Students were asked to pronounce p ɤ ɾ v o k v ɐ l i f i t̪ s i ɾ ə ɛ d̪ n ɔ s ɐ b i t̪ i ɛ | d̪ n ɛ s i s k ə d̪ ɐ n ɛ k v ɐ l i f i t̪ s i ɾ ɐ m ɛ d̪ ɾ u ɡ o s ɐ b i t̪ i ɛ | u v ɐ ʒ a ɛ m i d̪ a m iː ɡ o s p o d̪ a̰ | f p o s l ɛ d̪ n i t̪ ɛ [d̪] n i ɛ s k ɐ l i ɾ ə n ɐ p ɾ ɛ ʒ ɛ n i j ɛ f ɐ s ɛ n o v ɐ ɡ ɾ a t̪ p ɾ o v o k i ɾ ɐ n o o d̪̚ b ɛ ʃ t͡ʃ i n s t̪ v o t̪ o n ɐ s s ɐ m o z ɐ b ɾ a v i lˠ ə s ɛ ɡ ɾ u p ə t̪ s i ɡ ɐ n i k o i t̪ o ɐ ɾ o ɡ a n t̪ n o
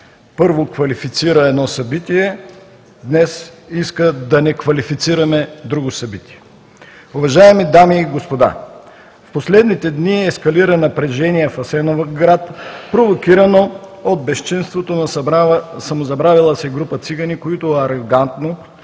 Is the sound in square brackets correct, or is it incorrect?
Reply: correct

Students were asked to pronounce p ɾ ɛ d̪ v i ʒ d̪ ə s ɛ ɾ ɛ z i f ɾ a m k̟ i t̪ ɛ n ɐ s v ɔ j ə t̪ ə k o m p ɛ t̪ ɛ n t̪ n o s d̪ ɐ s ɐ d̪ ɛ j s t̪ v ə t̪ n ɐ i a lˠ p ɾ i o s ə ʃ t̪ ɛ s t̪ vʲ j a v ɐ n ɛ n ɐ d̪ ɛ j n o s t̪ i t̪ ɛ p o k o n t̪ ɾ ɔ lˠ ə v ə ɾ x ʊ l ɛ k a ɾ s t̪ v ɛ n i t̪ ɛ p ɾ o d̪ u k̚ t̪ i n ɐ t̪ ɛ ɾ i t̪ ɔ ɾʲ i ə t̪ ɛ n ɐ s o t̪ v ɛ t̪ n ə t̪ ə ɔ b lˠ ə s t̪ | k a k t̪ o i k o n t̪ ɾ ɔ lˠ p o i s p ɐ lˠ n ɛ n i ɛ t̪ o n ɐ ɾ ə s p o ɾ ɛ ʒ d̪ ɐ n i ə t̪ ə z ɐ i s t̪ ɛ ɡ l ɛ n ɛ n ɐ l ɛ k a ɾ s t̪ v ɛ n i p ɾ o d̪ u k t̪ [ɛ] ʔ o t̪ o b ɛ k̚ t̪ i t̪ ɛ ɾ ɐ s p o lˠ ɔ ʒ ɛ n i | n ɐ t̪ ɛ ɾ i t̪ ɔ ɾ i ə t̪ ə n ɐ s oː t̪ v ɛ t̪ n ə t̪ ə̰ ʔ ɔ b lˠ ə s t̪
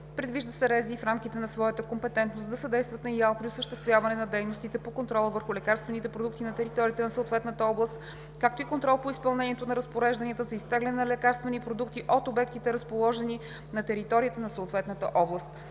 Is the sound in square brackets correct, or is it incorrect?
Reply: incorrect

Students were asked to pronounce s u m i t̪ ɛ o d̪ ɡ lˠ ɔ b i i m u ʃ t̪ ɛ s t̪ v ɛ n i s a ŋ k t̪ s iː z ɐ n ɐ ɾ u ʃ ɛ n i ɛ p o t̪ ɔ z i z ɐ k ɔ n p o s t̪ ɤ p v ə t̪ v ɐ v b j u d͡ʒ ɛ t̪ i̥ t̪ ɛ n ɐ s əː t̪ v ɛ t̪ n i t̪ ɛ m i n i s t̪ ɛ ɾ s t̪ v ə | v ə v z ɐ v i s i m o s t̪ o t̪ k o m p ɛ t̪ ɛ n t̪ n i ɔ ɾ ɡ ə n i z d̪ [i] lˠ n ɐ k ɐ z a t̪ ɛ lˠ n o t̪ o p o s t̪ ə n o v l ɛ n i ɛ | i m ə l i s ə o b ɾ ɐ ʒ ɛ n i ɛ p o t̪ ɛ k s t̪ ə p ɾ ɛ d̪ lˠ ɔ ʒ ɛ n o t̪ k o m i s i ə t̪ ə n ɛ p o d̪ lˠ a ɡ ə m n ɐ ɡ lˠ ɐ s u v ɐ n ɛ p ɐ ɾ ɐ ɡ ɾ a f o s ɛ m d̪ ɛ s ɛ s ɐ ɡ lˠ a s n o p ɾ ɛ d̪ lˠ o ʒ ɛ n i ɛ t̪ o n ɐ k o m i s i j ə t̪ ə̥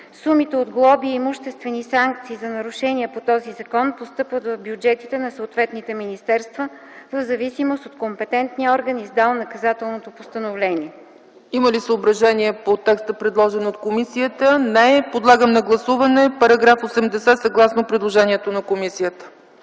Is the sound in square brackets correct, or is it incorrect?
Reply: incorrect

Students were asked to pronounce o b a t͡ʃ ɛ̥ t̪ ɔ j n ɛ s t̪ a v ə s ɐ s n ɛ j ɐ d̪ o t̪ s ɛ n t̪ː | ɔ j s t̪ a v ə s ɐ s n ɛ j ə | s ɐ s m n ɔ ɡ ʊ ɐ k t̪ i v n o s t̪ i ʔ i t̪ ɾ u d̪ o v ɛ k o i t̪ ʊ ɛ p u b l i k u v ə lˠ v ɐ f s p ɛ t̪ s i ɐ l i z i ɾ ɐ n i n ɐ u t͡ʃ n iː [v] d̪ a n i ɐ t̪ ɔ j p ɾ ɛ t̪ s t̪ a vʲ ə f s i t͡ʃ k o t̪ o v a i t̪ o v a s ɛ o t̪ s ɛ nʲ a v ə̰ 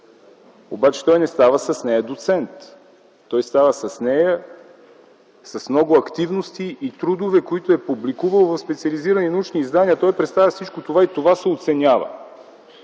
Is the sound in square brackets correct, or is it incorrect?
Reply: incorrect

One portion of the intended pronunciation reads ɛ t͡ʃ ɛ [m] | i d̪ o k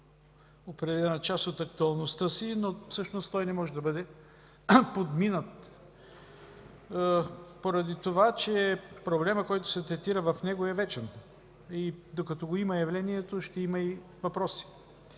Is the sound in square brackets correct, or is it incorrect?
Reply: incorrect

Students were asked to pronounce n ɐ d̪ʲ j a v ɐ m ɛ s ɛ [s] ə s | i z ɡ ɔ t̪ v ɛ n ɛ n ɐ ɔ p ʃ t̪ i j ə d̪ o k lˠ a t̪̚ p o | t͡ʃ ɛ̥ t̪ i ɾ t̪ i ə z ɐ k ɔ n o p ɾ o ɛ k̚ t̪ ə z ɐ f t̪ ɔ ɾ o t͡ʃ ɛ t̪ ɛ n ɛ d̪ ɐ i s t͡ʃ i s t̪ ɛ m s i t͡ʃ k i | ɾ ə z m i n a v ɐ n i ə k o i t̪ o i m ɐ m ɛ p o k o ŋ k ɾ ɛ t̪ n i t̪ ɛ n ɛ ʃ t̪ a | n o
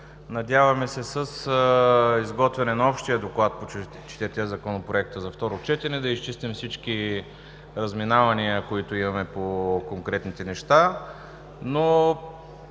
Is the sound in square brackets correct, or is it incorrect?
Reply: correct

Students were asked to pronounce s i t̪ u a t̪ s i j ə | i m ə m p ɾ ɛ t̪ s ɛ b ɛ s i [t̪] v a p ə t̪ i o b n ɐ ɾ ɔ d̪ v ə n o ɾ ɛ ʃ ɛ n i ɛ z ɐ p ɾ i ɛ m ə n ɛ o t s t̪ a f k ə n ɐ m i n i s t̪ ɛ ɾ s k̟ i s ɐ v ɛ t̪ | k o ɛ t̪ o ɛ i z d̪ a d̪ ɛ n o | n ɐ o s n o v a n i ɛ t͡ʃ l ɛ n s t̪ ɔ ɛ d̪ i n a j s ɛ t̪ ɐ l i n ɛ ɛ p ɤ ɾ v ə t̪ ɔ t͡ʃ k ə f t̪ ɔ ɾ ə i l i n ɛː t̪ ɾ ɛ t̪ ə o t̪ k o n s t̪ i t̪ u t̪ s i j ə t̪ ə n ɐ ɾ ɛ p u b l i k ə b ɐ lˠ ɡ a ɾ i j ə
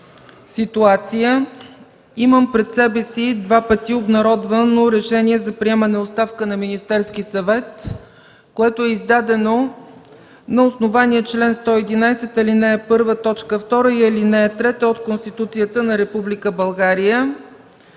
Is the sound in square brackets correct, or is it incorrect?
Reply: incorrect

